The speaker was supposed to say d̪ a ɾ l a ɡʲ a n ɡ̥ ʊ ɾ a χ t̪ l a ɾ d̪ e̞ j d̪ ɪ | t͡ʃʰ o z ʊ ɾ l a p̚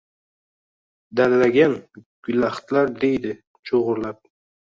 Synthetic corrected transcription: d̪ a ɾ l a ɡʲ a n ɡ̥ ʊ l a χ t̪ l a ɾ d̪ e̞ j d̪ ɪ | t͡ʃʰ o ʁ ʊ ɾ l a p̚